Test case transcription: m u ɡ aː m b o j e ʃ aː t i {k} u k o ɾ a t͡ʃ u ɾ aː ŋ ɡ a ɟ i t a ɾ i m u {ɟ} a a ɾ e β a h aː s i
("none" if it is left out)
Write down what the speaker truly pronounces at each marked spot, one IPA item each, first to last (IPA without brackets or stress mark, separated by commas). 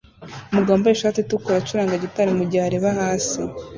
t, ɟ